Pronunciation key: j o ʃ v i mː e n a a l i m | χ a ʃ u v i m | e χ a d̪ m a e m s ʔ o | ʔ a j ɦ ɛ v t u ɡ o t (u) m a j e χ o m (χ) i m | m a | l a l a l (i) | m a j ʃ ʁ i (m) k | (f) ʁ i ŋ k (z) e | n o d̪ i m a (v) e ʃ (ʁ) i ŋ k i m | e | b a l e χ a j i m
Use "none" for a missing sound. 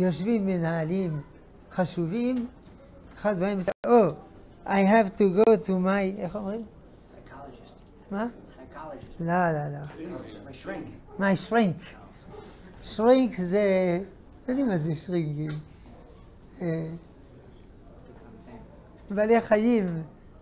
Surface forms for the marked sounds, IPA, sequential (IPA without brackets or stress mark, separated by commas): u, ʁ, a, ŋ, ʃ, z, z, ʁ